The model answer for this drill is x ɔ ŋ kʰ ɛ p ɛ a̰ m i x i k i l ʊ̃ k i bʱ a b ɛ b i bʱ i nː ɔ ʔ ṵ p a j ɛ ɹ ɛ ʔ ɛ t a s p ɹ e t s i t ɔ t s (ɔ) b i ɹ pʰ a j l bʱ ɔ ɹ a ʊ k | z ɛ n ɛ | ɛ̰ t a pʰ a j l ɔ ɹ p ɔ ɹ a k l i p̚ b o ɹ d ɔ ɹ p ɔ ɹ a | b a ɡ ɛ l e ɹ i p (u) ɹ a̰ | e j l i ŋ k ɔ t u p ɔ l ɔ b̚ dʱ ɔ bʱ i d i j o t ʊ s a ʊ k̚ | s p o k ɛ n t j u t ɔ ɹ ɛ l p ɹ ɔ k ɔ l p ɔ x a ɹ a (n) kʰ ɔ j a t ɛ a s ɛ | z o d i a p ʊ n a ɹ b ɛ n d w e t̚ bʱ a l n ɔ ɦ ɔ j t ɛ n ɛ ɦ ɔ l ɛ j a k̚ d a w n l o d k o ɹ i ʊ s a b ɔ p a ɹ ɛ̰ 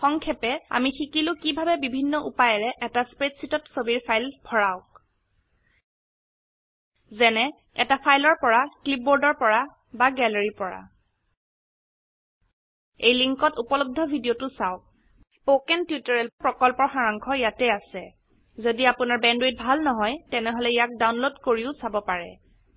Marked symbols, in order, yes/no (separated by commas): no, no, no